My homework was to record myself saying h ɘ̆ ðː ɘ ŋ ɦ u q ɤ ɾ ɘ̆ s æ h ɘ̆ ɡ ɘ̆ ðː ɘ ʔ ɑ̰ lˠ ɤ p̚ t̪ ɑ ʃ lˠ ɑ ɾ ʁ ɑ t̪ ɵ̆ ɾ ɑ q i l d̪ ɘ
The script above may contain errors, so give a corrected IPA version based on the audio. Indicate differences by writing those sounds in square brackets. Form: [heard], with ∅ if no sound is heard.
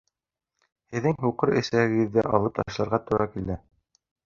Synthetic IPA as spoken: h ɘ̆ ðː ɘ ŋ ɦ u q ɤ ɾ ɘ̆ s æ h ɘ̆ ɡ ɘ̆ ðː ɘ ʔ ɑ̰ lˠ ɤ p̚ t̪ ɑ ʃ lˠ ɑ ɾ ʁ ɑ t̪ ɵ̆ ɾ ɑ [k] i l d̪ ɘ